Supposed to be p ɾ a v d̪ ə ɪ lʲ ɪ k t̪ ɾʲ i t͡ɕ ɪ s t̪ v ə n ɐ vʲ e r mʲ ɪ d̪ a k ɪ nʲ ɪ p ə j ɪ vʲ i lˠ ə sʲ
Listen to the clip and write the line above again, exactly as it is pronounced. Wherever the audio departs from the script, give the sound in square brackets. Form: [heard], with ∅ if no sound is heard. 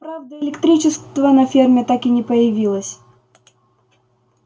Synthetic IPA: p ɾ a v d̪ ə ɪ lʲ ɪ k t̪ ɾʲ i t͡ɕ ɪ s t̪ v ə n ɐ [fʲ] e r mʲ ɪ [t̪] a k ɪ nʲ ɪ p ə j ɪ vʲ i lˠ ə sʲ